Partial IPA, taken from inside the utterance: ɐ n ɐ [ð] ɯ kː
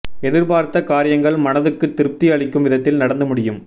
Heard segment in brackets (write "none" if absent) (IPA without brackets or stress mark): ð